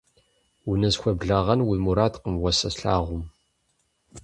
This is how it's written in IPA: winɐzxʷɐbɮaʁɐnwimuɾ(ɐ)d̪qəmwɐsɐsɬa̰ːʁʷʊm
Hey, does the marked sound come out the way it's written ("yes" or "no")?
no